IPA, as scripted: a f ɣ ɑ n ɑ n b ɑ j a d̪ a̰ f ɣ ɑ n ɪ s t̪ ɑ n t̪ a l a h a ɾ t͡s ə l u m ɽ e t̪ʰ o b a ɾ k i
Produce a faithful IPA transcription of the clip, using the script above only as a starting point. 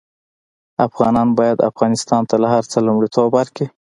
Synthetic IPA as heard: a f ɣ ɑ n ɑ n b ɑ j a d̪ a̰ f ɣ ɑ n ɪ s t̪ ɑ n t̪ a l a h a ɾ t͡s ə l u m ɽ i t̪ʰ o b a ɾ k i